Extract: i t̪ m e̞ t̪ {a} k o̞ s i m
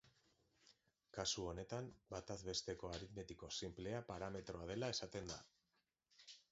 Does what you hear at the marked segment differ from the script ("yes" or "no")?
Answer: yes